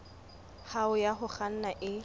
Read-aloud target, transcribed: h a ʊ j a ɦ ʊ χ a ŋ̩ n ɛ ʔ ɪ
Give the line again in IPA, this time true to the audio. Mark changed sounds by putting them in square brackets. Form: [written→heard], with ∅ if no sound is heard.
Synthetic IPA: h a ʊ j a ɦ ʊ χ a [ŋ̩→n̩] n [ɛ→a] ʔ ɪ